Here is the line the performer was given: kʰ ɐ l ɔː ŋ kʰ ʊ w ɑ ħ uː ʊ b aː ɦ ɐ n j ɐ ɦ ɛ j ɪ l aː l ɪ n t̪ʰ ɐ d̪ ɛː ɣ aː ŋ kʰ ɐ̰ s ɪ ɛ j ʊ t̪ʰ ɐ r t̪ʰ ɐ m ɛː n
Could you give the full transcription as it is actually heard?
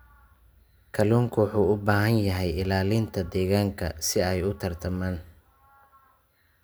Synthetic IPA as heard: kʰ ɐ l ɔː ŋ kʰ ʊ w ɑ ħ uː ʊ b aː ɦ ɐ n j ɐ ɦ ɛ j ɪ l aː l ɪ n t̪ʰ ɐ d̪ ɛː ɣ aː ŋ kʰ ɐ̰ s ɪ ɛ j ʊ t̪ʰ ɐ r t̪ʰ ɐ m aː n